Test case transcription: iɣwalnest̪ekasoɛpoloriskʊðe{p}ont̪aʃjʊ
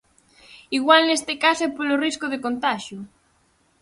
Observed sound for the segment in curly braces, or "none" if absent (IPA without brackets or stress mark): k